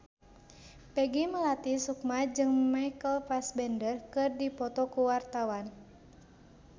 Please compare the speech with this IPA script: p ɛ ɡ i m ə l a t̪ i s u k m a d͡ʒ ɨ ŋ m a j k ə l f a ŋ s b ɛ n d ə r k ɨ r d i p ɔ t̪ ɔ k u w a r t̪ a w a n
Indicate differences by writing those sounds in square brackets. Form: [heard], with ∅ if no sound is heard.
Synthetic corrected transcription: p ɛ ɡ i m ə l a t̪ i s u k m a d͡ʒ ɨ ŋ m a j k ə l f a [∅] s b ɛ n d ə r k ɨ r d i p ɔ t̪ ɔ k u w a r t̪ a w a n